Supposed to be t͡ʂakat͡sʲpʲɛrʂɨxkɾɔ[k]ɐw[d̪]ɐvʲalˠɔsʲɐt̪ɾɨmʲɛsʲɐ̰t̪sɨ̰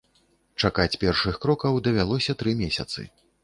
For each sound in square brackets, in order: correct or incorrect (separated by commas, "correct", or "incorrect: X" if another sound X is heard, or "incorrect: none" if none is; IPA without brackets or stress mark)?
correct, correct